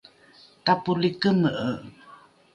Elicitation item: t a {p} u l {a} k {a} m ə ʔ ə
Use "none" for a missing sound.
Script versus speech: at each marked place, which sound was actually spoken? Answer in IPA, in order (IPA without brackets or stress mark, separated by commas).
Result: p, i, ə